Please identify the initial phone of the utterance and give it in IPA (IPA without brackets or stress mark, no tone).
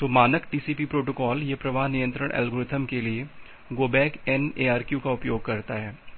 t̪